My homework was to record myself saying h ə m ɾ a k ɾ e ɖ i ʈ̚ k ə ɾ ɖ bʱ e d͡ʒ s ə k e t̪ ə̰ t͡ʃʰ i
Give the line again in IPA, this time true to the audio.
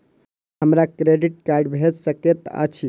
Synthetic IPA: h ə m ɾ a k ɾ e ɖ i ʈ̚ k a ɾ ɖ bʱ e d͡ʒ s ə k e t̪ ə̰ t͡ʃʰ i